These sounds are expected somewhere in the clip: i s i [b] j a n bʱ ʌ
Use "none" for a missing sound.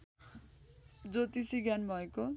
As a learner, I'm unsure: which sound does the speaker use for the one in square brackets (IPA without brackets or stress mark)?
ɡ